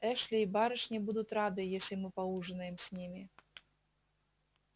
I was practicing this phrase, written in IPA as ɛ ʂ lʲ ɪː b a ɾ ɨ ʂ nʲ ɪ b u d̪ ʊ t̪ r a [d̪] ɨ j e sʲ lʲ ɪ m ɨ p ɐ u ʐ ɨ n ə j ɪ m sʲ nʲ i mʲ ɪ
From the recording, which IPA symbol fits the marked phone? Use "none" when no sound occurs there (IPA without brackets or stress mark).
d̪